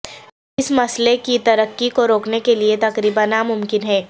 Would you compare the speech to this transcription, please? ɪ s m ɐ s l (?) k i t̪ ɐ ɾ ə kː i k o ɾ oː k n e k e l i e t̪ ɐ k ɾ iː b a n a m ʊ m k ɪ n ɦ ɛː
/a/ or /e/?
e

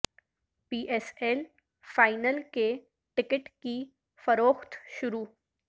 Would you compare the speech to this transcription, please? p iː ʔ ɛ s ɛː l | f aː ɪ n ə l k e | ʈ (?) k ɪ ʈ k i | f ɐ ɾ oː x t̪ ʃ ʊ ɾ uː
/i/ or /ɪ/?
ɪ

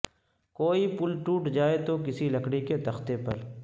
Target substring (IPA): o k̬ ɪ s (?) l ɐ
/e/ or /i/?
i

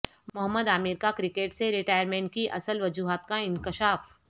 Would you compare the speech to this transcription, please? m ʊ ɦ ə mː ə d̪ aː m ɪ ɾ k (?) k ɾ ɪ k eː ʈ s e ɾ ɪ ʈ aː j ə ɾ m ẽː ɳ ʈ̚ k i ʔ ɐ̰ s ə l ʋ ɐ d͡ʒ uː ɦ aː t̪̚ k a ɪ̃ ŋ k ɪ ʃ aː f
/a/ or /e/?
a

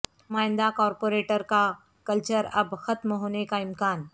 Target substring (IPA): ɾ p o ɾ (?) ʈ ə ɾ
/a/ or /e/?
e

